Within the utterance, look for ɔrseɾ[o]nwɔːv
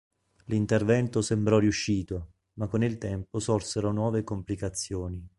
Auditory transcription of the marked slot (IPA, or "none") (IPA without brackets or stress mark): o